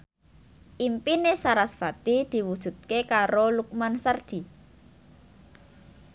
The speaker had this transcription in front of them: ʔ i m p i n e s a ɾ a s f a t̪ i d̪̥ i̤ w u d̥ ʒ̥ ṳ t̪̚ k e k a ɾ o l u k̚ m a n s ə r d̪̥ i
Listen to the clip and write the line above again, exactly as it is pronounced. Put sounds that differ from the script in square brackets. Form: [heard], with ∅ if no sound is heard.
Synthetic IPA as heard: ʔ i m p i n e s a ɾ a s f a t̪ i d̪̥ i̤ w u d̥ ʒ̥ ṳ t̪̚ k e k a ɾ o l u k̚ m a n s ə r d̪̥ i

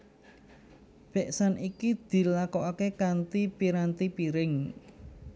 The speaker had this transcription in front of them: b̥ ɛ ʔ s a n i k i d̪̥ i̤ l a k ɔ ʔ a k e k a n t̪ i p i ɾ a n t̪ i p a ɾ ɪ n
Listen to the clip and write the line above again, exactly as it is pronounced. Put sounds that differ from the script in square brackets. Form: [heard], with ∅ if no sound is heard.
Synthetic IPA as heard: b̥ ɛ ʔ s a n i k i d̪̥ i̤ l a k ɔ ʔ a k e k a n t̪ i p i ɾ a n t̪ i p [i] ɾ ɪ [ŋ]

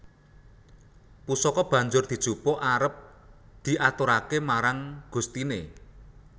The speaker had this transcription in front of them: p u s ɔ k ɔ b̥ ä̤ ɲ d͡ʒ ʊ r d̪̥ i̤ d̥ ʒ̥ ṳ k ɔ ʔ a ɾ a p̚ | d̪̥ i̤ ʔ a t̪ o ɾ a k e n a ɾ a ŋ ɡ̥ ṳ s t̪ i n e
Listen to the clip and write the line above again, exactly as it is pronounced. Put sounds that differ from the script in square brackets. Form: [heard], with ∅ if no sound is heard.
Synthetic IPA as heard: p u s ɔ k ɔ b̥ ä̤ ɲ d͡ʒ ʊ r d̪̥ i̤ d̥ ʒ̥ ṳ [p] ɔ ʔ a ɾ [ə] p̚ | d̪̥ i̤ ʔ a t̪ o ɾ a k e [m] a ɾ a ŋ ɡ̥ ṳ s t̪ i n e

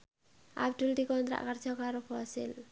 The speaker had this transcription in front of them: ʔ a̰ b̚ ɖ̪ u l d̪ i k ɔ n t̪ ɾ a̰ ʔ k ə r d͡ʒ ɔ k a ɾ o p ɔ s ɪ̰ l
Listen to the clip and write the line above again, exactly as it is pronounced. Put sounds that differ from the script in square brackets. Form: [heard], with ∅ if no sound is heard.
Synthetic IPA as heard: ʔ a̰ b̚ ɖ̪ u l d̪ i k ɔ n t̪ ɾ a̰ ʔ k ə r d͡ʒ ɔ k a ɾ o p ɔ s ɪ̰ l

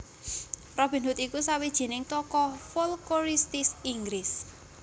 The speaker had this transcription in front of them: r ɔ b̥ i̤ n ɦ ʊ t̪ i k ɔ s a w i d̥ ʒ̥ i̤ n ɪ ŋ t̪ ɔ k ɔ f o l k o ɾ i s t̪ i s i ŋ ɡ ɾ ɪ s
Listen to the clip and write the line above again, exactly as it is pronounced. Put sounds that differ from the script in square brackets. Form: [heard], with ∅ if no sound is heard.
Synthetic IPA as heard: r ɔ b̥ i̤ n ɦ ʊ t̪ i k [u] s a w i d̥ ʒ̥ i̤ n ɪ ŋ t̪ ɔ k ɔ f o l k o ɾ i s t̪ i s i ŋ ɡ ɾ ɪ s

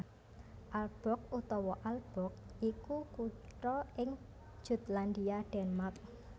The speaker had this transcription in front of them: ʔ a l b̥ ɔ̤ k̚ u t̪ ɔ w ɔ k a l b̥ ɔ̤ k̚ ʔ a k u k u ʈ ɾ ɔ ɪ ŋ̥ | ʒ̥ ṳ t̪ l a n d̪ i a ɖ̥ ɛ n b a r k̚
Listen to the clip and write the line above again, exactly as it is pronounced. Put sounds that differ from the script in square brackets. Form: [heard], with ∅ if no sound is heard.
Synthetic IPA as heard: ʔ a l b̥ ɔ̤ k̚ u t̪ ɔ w ɔ [ʔ] a l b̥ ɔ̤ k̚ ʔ [i] k u k u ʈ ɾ ɔ ɪ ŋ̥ | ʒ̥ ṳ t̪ l a n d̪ i a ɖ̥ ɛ n [m] a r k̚

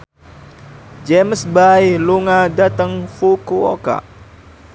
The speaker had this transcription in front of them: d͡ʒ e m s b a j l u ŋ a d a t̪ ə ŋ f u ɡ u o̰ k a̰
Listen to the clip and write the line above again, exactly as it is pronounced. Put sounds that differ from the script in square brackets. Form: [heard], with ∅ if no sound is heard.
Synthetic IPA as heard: d͡ʒ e m s b a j l u ŋ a d a t̪ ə ŋ f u [k] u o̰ k a̰

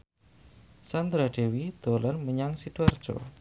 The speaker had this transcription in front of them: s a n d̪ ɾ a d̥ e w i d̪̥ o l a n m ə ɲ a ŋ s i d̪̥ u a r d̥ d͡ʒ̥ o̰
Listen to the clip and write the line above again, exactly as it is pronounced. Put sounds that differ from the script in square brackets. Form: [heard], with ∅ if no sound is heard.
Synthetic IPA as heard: s a n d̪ ɾ a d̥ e w i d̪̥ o l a n m ə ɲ a ŋ s i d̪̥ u a r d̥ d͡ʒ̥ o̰

